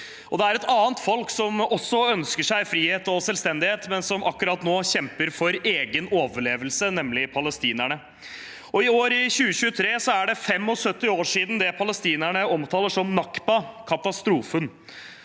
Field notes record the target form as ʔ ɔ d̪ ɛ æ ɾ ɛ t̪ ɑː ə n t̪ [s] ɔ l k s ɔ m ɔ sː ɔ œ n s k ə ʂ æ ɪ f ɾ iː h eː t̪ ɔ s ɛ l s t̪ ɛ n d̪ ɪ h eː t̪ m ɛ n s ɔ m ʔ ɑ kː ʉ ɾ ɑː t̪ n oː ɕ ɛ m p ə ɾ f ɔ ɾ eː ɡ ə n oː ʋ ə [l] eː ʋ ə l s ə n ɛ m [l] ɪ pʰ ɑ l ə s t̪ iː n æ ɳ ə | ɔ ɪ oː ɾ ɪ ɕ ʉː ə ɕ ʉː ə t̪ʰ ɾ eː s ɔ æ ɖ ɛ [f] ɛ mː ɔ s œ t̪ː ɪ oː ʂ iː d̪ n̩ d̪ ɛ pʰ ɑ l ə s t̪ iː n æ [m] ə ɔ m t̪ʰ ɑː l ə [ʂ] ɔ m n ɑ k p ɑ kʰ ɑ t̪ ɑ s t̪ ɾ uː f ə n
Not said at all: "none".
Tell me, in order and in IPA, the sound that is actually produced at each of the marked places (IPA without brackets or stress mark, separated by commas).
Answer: f, ɭ, l, f, ɳ, ʂ